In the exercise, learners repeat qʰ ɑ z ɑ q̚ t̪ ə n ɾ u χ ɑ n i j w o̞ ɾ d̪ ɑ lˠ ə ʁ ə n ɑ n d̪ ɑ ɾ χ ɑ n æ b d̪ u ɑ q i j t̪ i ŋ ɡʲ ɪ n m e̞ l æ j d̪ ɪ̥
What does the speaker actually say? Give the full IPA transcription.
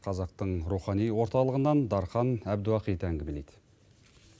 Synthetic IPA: qʰ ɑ z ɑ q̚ t̪ ə ɴ ɾ u χ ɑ n i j w o̞ ɾ t̪ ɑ lˠ ə ʁ ə n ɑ n d̪ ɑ ɾ χ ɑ n æ b d̪ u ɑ q i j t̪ æ ŋ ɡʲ ɪ m e̞ l e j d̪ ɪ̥